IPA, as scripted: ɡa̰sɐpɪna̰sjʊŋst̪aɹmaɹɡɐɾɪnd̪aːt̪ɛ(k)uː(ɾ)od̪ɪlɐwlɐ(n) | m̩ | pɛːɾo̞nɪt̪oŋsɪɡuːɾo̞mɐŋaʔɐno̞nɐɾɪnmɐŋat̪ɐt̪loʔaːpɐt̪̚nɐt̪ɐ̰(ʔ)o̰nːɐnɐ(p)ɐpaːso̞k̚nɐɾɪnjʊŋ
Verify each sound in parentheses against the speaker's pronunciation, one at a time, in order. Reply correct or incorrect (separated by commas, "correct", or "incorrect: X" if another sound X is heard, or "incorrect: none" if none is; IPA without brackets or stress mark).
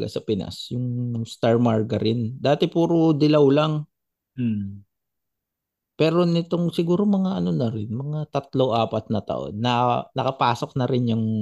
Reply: incorrect: p, correct, incorrect: ŋ, correct, incorrect: k